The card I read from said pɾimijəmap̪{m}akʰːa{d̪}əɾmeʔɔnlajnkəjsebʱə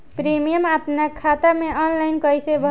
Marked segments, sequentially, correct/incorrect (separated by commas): incorrect, incorrect